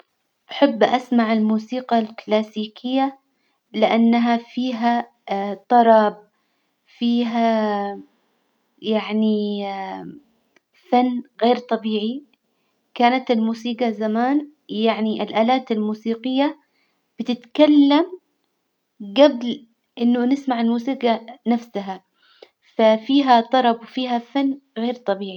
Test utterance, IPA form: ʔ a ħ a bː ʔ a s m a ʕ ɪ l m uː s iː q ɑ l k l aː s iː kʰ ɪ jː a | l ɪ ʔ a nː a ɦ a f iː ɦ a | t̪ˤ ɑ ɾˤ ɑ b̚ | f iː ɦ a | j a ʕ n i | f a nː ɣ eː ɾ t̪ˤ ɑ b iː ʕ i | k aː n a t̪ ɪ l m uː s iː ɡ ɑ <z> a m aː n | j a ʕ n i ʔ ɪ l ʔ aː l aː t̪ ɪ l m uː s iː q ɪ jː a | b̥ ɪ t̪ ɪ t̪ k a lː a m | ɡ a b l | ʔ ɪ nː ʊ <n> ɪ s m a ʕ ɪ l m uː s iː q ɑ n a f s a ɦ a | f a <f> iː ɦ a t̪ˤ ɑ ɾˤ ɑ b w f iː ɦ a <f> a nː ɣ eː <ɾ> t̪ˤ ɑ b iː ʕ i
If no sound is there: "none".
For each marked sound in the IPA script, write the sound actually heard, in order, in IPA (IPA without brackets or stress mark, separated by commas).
z, n, f, f, ɾ